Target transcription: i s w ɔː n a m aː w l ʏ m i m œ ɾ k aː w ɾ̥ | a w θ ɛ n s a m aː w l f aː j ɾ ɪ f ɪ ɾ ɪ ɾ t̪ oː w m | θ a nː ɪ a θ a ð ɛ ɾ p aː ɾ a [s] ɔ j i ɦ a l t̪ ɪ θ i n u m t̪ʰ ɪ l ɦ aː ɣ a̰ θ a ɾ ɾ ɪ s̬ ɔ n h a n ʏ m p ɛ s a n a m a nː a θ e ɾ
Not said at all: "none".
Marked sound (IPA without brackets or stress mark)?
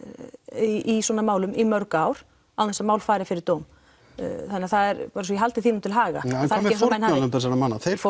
s